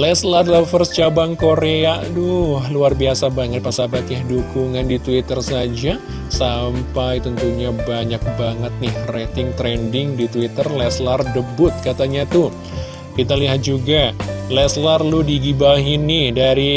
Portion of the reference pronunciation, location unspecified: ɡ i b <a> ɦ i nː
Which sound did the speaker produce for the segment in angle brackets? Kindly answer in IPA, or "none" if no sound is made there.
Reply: a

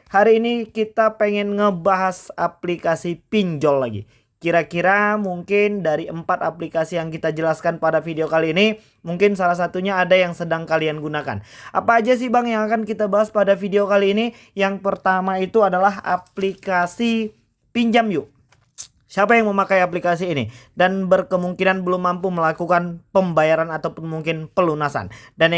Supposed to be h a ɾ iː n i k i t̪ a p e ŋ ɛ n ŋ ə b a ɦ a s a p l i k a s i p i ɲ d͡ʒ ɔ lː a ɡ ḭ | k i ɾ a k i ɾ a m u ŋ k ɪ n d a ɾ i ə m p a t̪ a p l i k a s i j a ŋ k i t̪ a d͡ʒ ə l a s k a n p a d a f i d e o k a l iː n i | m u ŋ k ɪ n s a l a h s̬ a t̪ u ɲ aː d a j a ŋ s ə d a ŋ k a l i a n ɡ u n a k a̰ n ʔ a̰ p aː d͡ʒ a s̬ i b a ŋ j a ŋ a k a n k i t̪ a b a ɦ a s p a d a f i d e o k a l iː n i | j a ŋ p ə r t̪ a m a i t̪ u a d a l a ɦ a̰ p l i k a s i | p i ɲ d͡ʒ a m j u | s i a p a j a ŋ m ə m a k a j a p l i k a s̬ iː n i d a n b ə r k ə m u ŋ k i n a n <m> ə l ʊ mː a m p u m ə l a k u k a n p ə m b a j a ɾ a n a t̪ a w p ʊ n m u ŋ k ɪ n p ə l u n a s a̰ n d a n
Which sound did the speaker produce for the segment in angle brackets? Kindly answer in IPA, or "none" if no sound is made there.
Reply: b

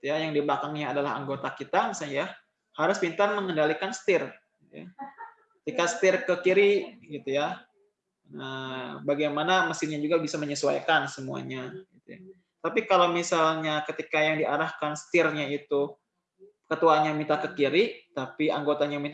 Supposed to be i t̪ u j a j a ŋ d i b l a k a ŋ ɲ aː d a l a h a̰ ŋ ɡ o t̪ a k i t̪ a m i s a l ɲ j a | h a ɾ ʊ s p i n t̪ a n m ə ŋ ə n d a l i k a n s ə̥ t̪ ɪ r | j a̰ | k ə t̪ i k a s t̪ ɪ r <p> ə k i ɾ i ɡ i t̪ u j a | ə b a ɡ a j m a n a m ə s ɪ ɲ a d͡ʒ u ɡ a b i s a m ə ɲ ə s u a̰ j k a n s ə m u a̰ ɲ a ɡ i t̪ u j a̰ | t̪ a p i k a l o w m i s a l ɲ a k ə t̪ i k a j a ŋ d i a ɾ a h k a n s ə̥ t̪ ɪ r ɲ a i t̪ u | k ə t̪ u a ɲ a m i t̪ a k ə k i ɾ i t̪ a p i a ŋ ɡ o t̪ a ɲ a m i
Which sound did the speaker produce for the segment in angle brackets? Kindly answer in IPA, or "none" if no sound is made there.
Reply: k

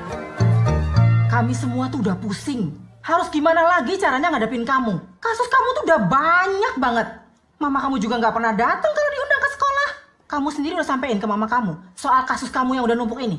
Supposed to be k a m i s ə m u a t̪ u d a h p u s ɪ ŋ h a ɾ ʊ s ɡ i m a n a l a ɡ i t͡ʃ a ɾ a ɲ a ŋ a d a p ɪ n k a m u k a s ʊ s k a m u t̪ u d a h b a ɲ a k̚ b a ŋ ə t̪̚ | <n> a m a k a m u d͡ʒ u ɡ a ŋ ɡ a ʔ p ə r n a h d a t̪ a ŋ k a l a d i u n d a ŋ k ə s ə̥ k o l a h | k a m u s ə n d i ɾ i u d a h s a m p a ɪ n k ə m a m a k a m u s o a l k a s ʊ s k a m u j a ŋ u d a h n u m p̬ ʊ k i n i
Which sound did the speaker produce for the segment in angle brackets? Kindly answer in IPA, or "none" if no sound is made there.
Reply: m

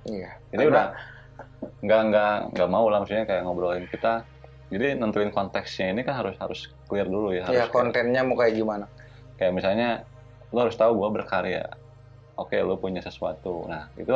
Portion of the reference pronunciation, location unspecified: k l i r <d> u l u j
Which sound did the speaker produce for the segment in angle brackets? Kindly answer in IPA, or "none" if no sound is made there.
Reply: d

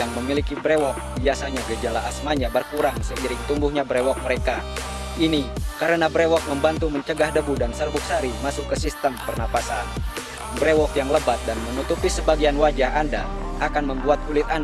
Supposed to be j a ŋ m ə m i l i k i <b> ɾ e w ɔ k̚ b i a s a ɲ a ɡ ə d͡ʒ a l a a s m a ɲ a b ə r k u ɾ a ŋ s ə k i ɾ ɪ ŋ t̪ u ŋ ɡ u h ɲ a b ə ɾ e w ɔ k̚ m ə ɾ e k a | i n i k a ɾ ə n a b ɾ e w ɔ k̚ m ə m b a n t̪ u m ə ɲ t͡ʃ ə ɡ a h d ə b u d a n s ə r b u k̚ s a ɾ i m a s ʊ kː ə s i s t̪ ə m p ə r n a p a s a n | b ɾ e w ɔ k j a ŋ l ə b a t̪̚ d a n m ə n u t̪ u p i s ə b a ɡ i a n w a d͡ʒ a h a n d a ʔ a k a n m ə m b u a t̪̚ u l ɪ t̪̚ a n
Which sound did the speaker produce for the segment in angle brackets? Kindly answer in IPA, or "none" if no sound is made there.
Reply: b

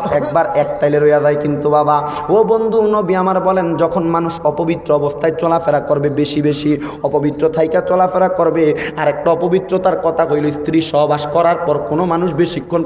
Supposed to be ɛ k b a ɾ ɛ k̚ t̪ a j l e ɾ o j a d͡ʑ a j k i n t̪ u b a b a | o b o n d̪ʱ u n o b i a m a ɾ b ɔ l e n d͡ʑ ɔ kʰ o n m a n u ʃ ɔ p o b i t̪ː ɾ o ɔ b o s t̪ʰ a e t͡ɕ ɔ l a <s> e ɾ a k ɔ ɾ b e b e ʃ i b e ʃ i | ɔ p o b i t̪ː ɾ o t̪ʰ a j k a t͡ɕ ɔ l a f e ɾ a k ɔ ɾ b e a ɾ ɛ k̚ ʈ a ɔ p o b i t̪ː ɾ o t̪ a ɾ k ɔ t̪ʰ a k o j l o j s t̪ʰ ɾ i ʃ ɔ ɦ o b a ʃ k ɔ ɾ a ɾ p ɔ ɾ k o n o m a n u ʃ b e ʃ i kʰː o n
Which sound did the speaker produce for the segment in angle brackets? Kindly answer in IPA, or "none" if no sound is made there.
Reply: f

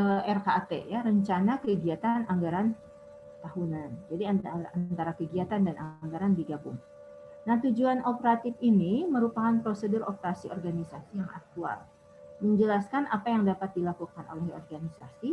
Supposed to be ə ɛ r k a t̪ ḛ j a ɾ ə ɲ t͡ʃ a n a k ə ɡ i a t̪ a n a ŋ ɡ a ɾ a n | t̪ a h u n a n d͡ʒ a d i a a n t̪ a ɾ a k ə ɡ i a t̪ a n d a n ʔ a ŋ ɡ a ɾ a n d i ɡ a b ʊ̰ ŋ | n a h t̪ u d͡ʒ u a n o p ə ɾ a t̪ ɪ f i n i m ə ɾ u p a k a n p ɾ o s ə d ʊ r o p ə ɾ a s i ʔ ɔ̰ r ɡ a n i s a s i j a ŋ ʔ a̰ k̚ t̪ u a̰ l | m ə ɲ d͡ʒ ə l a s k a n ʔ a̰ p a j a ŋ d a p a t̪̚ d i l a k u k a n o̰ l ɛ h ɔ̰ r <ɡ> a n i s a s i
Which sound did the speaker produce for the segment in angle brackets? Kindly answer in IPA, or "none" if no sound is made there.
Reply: ɡ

